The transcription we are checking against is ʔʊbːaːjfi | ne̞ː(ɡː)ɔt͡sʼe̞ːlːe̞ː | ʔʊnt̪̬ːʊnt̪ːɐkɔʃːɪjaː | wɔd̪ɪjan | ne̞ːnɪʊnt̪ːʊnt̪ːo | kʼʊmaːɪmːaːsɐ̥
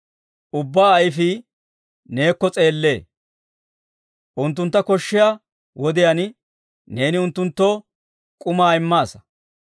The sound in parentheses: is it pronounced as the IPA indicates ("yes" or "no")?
no